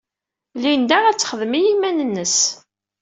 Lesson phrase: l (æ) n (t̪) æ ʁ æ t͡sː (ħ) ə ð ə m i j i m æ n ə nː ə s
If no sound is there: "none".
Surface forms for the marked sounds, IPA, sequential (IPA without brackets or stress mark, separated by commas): i, d̪, χ